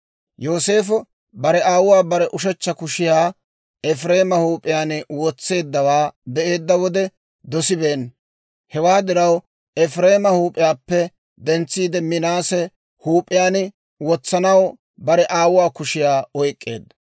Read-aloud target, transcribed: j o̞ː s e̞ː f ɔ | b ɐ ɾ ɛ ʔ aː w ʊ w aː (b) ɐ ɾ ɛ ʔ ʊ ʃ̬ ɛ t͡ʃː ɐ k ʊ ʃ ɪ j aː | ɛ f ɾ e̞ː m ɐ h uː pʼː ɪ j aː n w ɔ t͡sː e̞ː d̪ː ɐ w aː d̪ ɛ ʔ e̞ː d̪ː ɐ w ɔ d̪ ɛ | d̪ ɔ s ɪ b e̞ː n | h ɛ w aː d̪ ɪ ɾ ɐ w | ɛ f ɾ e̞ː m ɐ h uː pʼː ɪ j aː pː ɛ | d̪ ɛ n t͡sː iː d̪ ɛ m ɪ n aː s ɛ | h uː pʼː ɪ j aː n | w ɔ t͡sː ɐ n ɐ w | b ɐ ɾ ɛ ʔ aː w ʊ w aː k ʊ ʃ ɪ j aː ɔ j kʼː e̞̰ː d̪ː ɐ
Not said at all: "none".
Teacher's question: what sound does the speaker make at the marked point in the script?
b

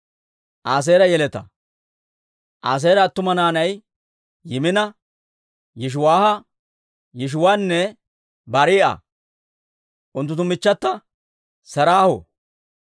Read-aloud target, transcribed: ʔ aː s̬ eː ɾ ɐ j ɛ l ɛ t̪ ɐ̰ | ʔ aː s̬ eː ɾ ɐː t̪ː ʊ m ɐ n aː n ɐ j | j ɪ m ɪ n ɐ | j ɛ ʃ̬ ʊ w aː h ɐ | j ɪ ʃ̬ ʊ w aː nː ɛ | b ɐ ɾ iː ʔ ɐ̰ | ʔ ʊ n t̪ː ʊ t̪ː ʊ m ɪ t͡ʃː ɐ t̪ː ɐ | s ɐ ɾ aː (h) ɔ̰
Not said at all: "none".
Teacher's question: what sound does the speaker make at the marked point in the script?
h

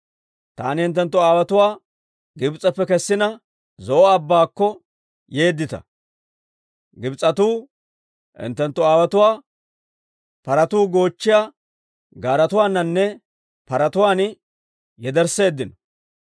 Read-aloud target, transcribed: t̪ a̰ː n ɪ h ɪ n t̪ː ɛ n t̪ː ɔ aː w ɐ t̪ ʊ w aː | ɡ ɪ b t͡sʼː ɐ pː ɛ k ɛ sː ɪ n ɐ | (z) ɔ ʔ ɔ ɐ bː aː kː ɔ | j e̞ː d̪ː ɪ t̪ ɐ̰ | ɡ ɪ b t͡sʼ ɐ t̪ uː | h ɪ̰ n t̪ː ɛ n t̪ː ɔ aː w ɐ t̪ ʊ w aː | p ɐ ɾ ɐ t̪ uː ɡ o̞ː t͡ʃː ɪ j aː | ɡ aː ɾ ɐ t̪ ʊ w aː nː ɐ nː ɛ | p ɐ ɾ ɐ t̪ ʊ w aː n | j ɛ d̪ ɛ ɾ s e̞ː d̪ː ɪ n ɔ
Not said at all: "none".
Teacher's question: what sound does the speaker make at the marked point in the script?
z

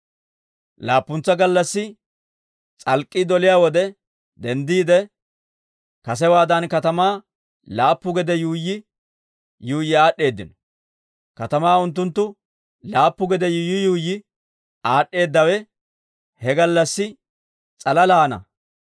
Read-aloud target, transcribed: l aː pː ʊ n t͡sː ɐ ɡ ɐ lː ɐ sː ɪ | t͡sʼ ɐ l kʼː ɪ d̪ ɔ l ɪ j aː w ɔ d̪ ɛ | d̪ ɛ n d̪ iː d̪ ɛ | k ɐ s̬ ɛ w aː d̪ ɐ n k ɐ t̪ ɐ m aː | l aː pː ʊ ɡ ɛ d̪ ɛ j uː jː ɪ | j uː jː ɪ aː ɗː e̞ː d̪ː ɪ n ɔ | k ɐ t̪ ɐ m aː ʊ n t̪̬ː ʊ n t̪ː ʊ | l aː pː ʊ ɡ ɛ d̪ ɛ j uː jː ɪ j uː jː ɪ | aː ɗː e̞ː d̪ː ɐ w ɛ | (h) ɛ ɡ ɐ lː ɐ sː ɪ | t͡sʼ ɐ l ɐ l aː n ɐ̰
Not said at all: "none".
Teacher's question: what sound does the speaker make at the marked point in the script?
h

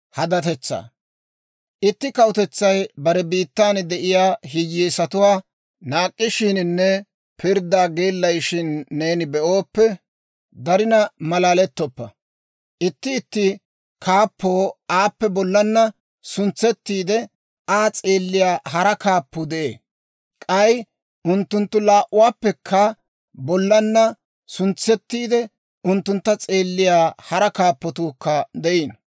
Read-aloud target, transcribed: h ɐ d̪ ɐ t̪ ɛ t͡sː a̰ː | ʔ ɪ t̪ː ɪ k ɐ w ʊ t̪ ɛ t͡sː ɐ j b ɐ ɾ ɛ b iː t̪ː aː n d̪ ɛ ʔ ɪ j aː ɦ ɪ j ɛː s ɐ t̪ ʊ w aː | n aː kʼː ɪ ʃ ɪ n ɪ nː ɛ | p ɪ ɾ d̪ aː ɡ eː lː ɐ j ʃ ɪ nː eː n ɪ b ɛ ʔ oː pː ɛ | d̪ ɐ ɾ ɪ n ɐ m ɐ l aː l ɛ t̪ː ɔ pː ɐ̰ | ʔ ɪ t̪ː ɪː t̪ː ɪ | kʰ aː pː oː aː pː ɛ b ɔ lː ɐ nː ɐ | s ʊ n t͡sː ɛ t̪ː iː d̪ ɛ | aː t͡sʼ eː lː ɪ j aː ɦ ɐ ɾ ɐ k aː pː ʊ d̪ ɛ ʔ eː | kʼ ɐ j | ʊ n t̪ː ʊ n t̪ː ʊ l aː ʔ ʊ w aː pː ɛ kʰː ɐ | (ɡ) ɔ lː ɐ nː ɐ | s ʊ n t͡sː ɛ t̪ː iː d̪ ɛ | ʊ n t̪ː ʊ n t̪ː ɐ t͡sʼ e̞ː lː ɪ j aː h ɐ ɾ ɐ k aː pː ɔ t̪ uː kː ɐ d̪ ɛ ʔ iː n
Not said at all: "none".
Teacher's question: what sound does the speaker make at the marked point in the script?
b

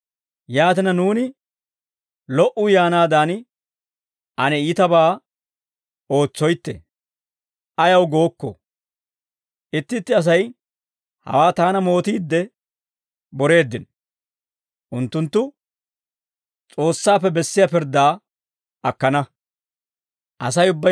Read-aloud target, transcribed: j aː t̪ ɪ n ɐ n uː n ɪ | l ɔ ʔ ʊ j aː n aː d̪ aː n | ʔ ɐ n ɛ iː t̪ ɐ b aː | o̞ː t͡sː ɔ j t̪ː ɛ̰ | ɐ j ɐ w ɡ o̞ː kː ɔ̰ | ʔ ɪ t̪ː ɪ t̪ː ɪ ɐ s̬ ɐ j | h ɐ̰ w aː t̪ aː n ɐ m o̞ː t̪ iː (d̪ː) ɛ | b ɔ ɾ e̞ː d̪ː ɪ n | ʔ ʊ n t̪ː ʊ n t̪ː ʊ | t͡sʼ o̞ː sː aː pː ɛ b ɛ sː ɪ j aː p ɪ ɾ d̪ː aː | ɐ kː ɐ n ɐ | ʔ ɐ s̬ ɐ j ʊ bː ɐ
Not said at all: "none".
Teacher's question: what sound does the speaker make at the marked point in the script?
d̪ː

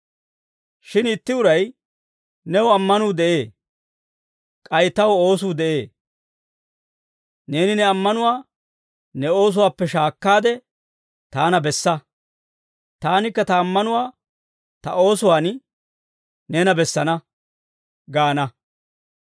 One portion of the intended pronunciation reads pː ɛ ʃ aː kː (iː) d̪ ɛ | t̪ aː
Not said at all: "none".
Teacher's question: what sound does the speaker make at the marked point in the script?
aː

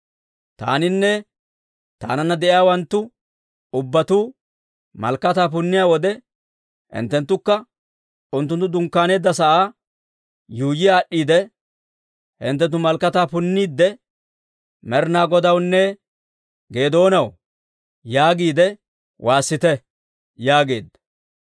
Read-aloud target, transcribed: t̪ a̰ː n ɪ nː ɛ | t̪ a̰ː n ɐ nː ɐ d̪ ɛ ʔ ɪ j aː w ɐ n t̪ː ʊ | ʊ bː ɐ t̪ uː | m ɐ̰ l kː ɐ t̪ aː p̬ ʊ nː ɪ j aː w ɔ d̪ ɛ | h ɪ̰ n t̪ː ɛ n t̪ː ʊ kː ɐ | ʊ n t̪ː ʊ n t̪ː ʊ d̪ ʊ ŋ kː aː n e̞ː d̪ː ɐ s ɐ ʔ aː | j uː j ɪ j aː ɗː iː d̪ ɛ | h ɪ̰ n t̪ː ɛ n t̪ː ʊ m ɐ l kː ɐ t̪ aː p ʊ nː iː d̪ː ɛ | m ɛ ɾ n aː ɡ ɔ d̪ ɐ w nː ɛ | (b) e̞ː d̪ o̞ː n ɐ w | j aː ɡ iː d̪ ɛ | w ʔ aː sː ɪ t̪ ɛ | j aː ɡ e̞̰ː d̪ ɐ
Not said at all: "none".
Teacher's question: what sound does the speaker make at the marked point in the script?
ɡ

